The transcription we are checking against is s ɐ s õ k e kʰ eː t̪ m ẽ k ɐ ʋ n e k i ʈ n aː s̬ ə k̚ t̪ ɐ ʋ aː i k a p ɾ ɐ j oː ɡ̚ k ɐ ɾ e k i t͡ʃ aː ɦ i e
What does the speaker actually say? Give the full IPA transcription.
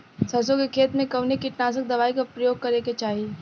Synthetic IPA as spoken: s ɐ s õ k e kʰ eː t̪ m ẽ k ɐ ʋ n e k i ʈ n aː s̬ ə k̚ d̪ ɐ ʋ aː i k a p ɾ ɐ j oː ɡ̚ k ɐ ɾ e k e t͡ʃ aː ɦ i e